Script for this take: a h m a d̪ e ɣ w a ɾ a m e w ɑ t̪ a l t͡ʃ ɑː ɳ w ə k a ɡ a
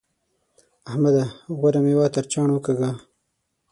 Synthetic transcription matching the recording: a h m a d̪ a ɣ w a ɾ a m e w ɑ t̪ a ɾ t͡ʃ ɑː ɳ w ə k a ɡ a